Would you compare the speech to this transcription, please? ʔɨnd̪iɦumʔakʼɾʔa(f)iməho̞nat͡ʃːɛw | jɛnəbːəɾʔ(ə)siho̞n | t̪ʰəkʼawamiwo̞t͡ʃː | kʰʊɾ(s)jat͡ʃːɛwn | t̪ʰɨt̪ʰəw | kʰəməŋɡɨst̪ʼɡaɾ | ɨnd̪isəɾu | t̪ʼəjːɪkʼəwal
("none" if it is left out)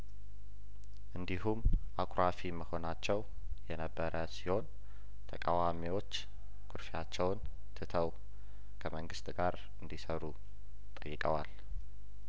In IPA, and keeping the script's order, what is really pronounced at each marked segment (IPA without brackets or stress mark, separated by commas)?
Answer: f, ə, f